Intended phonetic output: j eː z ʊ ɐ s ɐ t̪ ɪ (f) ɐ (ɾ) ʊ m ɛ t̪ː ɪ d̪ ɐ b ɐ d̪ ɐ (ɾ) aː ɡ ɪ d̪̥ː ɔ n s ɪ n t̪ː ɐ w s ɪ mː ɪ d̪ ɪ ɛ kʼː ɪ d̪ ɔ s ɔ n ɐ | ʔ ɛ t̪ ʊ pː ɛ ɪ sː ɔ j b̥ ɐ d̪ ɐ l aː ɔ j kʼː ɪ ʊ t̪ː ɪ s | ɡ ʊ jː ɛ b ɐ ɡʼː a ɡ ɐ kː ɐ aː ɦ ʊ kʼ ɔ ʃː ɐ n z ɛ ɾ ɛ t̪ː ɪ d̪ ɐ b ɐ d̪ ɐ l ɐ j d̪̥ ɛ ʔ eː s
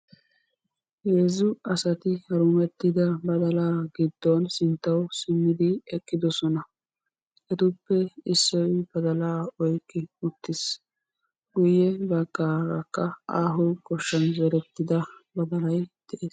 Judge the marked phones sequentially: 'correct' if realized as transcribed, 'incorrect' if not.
incorrect: h, correct, incorrect: l

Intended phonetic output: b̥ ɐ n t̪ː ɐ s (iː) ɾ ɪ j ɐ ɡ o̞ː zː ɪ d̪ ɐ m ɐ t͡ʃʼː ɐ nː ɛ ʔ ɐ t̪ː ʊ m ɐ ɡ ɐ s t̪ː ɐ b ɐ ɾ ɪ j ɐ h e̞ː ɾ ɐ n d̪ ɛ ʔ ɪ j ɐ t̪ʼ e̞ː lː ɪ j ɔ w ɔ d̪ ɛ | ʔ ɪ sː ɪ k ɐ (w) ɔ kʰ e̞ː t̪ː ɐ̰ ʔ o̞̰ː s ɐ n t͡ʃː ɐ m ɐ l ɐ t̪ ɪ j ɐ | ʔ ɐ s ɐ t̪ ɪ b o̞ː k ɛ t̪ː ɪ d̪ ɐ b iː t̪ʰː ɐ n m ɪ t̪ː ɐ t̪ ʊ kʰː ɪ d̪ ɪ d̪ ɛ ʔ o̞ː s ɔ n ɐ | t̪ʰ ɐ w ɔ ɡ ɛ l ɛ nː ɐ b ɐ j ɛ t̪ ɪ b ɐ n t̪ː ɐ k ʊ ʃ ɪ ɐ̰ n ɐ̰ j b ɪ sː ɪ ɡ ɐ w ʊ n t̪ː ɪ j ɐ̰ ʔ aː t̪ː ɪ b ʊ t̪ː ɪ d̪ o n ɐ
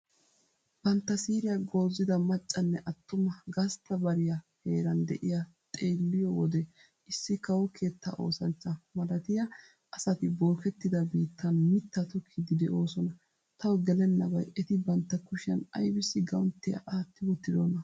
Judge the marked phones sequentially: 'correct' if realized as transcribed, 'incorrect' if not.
correct, correct

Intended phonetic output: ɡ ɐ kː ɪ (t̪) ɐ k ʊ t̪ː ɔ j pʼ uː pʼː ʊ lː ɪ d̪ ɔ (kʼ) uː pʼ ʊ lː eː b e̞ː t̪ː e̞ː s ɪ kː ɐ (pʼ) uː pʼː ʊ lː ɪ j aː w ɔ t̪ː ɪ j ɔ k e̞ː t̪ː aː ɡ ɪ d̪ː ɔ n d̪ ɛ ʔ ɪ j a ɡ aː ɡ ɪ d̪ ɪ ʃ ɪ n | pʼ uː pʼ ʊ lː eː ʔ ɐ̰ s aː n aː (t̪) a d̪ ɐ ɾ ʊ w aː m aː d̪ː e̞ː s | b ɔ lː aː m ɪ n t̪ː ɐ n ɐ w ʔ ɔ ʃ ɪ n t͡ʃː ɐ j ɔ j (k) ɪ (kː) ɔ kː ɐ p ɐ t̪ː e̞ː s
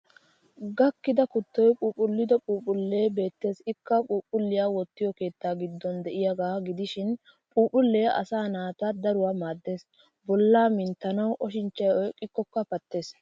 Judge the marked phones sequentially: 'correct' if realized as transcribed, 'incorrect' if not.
incorrect: d̪, incorrect: pʼ, correct, correct, incorrect: kʼ, correct

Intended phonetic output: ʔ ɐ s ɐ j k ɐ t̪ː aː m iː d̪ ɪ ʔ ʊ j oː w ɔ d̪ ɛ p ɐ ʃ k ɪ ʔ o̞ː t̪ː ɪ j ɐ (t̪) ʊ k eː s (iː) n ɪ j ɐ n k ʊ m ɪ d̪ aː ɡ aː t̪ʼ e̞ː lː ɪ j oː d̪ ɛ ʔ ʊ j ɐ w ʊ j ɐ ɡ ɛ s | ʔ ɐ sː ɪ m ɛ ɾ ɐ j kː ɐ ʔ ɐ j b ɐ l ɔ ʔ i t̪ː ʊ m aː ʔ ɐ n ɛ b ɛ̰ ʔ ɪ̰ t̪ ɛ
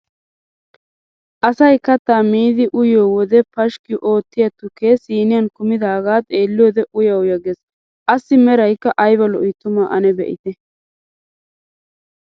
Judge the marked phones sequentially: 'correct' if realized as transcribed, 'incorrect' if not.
correct, correct

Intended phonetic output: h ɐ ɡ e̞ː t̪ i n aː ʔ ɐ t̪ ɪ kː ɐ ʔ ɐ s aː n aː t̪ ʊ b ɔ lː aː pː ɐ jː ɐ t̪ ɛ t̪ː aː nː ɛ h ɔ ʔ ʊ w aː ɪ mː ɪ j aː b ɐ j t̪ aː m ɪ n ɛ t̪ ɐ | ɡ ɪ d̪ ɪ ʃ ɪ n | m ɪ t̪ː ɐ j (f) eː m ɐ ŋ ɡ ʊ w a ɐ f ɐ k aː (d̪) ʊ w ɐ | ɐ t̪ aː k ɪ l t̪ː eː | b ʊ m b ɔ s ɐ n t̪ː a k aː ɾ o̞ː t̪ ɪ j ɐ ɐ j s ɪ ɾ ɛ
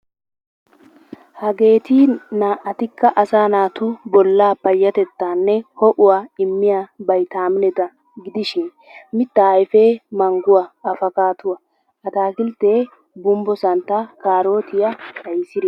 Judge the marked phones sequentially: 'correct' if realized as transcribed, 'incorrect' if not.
correct, incorrect: t̪

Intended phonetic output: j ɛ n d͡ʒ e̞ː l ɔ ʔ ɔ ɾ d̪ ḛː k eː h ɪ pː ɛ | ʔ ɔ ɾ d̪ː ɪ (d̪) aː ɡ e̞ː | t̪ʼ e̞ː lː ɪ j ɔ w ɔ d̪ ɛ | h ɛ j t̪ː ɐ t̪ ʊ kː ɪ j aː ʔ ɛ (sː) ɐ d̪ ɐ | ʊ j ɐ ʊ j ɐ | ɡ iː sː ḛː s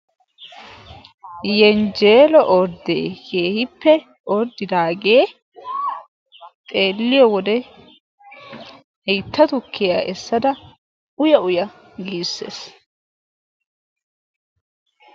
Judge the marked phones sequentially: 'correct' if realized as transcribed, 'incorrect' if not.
correct, correct

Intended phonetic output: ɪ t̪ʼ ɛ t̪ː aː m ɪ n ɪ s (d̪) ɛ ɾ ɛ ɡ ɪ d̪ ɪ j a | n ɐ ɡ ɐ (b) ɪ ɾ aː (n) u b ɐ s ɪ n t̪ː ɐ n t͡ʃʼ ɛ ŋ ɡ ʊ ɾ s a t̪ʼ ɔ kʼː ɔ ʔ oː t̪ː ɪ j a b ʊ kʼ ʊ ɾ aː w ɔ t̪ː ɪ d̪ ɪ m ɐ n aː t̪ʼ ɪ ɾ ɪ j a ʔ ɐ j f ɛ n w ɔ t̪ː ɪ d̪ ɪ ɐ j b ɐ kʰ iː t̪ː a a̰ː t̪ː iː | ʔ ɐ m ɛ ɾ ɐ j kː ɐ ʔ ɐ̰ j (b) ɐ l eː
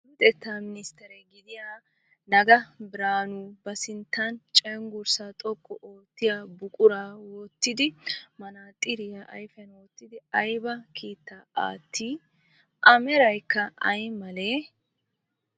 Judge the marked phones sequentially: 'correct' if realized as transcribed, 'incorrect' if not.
incorrect: t̪, correct, correct, incorrect: m

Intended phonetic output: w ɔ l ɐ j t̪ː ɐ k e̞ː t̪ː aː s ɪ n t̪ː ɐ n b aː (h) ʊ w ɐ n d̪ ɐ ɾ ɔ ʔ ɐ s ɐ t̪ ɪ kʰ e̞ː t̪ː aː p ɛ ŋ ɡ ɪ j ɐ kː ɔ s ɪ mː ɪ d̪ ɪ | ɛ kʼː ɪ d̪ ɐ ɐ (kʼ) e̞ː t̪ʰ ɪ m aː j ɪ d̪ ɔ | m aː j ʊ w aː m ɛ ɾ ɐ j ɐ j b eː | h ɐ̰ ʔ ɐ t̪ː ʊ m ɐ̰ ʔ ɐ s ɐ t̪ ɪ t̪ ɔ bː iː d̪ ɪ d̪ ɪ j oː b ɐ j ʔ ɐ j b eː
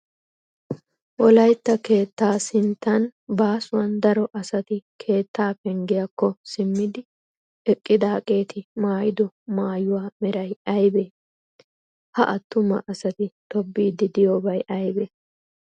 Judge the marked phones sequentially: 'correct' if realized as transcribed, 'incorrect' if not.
incorrect: s, correct

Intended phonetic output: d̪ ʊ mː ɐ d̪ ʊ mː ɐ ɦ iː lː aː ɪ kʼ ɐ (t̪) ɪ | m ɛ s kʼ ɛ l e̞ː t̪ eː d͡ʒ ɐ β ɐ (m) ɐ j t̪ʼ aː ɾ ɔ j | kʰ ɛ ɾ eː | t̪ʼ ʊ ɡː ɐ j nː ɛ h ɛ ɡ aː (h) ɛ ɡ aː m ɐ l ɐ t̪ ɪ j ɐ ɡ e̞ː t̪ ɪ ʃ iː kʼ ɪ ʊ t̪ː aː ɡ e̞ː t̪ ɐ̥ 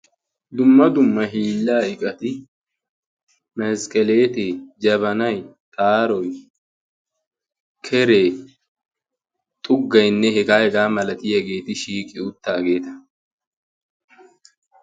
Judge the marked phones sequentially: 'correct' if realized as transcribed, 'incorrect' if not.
correct, incorrect: n, correct

